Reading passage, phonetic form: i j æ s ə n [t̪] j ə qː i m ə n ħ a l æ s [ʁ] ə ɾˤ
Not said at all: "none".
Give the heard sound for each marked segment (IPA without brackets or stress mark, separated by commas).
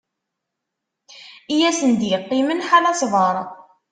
d̪, v